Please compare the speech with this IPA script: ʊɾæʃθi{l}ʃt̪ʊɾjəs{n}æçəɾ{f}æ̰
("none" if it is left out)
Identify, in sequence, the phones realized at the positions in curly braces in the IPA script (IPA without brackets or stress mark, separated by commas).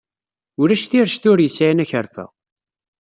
ɾ, n, f